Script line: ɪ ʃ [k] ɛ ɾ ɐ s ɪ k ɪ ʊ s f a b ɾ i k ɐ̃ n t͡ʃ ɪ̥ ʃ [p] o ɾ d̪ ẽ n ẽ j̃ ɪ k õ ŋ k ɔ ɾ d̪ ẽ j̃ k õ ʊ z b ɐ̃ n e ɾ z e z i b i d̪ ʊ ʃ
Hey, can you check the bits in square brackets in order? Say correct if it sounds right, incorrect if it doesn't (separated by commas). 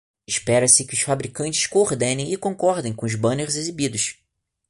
incorrect, incorrect